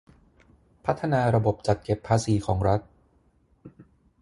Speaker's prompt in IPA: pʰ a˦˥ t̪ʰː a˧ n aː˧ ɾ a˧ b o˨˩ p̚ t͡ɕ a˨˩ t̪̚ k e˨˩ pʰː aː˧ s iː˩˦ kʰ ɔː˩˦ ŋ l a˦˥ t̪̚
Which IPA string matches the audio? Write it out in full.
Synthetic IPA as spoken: pʰ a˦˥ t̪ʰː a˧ n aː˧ ɾ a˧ b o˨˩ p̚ t͡ɕ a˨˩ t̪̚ k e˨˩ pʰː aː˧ s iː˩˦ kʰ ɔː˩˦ ŋ ɾ a˦˥ t̪̚